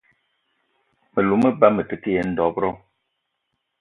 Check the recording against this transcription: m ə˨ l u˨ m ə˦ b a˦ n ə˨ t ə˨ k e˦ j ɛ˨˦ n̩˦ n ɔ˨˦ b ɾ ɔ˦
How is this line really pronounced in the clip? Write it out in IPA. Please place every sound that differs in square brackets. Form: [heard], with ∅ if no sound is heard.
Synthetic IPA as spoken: m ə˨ l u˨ m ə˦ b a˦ [m] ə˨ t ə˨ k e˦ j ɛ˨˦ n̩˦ [d] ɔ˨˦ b ɾ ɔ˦